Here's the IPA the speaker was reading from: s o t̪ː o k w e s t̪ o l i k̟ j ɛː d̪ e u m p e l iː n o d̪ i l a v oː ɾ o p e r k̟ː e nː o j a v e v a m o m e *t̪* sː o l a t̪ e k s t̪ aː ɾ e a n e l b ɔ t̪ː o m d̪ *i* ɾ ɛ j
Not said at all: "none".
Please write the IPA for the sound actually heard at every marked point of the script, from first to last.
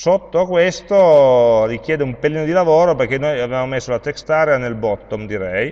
none, i

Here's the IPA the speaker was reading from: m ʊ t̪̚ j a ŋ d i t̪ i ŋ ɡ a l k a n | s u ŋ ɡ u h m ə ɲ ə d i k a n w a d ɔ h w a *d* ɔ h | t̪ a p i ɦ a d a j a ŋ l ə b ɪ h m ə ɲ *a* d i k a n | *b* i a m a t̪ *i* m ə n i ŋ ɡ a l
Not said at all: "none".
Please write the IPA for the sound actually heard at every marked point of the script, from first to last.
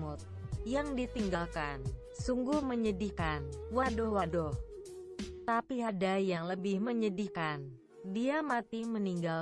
d, ə, d, i

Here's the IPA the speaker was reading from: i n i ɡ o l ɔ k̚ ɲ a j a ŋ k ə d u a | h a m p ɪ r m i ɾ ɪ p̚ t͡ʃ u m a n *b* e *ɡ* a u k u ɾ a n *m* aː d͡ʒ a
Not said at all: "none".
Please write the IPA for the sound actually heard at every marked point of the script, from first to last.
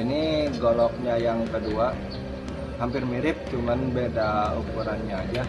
b, d, ɲ

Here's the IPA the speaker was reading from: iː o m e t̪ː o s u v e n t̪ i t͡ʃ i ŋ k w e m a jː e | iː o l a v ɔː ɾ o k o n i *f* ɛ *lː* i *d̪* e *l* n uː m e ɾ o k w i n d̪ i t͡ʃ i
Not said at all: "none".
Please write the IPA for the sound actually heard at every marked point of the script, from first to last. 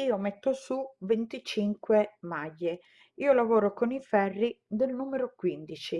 f, rː, d̪, l

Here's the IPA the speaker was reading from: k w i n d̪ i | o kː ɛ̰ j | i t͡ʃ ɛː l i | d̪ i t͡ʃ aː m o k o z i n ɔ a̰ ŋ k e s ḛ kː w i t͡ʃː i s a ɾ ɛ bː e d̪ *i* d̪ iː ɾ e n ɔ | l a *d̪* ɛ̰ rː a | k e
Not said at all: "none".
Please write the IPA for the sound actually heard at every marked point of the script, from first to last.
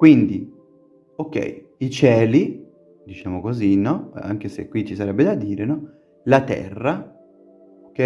a, t̪

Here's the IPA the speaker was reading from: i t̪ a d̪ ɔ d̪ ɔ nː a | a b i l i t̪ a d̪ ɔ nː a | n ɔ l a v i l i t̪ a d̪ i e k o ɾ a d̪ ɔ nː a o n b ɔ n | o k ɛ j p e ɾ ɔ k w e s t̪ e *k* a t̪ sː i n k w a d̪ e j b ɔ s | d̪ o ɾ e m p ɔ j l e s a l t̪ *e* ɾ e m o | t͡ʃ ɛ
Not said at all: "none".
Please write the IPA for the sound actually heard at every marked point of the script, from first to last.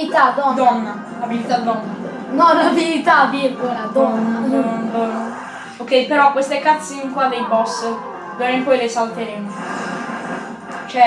k, e

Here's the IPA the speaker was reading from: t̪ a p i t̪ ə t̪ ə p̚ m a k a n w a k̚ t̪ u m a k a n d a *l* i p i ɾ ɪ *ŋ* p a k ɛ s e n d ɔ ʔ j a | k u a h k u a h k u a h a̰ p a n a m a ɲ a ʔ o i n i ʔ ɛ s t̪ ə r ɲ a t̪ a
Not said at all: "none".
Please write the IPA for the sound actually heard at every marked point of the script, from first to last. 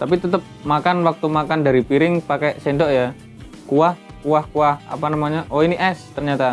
ɾ, ŋ

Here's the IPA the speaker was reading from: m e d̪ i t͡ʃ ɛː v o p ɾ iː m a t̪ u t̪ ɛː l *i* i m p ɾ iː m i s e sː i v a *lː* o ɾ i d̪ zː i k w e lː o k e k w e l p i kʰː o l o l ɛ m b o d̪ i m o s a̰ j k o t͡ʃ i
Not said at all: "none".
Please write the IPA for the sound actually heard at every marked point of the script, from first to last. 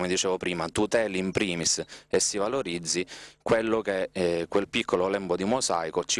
i, l

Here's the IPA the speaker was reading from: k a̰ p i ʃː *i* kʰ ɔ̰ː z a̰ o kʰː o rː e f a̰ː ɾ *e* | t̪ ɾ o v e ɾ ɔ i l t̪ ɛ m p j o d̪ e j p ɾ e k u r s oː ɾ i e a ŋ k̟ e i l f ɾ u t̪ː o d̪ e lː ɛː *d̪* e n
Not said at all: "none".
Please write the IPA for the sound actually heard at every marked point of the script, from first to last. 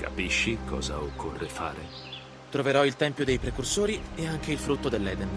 i, e, d̪

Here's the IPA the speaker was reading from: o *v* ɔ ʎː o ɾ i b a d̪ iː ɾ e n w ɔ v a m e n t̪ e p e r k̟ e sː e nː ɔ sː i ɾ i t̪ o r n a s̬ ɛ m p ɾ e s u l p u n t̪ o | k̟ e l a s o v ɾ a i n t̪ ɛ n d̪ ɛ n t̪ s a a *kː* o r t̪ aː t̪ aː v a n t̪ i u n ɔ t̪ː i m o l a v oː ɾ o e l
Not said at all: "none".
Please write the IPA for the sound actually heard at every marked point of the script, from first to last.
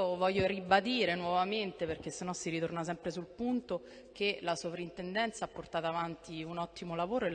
v, pː

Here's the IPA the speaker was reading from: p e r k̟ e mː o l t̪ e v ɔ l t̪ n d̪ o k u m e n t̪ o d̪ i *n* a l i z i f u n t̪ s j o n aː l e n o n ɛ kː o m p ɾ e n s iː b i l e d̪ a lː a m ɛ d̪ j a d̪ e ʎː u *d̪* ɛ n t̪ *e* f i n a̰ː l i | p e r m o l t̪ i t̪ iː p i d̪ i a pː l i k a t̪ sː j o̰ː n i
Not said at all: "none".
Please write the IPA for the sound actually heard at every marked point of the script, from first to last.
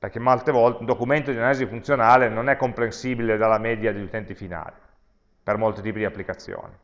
n, t̪, i

